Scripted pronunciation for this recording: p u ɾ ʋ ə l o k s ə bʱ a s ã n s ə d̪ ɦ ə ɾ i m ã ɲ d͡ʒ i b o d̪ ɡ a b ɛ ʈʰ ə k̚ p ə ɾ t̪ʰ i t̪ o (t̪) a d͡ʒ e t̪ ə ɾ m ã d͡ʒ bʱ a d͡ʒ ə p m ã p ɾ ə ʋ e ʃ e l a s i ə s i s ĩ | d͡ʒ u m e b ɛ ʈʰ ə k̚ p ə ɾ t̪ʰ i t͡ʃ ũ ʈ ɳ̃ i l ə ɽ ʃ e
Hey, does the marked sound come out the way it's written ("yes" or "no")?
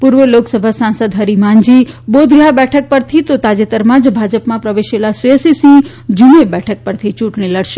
yes